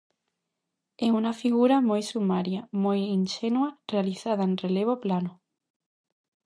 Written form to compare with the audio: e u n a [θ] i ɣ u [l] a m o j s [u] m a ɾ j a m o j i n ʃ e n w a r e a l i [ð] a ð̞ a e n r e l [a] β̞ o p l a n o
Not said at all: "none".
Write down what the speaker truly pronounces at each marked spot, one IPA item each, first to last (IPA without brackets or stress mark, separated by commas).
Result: f, ɾ, u, θ, e